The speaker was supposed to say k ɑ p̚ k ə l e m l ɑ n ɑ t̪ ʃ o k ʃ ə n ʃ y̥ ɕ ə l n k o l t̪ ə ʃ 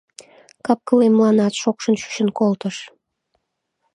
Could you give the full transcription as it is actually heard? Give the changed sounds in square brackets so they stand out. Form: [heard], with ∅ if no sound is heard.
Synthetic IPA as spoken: k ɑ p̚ k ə l e m l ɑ n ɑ t̪ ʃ o k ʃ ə n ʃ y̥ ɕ ə [∅] n k o l t̪ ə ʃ